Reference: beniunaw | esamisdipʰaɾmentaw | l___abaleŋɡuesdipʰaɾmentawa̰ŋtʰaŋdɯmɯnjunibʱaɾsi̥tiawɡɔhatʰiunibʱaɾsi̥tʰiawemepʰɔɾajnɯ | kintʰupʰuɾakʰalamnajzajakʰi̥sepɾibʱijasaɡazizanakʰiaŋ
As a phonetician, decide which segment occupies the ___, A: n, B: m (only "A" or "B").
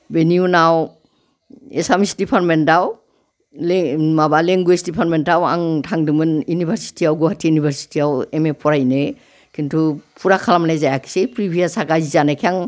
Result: B